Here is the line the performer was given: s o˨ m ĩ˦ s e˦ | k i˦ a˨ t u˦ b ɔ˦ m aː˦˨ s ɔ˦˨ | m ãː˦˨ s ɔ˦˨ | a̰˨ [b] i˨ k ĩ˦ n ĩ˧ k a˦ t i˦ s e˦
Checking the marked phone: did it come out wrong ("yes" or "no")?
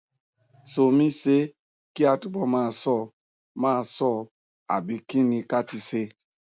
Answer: no